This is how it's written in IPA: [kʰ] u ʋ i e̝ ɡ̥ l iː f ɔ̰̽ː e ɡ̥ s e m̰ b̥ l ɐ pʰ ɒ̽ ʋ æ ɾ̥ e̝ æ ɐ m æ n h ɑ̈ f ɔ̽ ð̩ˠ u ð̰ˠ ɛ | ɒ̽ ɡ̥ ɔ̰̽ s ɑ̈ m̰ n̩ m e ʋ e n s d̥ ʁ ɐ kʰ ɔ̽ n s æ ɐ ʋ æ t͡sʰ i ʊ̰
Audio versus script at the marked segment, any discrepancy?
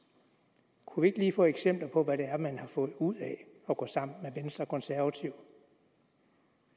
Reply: no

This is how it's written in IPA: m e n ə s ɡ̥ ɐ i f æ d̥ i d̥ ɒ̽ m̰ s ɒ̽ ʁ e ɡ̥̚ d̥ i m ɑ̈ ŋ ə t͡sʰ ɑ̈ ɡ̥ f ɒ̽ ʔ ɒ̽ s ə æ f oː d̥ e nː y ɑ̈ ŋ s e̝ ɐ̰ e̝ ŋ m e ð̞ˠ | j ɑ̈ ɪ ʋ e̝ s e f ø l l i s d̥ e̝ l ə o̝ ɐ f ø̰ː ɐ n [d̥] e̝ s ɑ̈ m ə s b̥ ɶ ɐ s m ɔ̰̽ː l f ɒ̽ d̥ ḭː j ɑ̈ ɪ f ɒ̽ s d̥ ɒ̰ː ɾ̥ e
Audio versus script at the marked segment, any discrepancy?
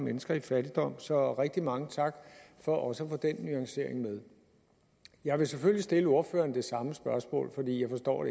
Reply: no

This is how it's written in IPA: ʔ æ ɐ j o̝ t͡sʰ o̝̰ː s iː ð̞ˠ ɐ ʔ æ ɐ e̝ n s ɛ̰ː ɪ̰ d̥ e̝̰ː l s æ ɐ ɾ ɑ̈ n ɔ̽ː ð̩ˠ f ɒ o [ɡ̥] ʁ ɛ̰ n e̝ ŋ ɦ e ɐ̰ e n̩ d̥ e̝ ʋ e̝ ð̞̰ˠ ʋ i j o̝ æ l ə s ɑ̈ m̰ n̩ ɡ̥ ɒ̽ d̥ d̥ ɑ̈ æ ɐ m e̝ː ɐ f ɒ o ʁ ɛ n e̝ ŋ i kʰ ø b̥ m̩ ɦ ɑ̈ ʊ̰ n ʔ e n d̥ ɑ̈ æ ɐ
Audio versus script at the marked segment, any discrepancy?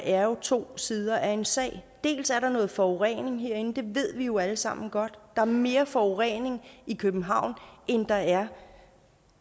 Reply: yes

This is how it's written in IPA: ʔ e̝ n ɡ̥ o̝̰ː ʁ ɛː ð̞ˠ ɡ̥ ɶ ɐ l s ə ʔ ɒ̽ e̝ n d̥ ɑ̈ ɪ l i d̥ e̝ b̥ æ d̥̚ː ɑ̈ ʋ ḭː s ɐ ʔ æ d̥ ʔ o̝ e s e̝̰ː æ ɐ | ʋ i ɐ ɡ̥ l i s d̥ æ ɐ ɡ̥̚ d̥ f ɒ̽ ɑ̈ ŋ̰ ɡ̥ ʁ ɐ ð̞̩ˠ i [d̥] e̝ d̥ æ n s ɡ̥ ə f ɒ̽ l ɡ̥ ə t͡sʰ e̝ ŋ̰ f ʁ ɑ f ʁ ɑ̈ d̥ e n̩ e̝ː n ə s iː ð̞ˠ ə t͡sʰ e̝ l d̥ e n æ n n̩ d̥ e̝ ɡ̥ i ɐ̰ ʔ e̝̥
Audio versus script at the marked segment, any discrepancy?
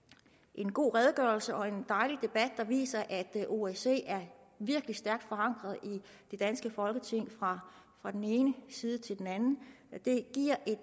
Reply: no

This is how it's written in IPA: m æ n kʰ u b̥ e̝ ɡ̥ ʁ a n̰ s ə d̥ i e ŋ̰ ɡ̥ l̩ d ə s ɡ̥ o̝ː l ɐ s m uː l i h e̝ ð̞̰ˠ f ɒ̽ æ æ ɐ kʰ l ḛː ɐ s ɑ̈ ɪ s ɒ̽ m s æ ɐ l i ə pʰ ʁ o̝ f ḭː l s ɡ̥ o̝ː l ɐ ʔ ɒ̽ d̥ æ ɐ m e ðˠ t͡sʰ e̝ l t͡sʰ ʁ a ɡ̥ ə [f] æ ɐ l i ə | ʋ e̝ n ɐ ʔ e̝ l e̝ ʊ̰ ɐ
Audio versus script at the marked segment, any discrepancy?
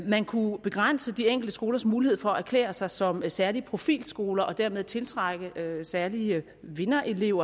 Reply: yes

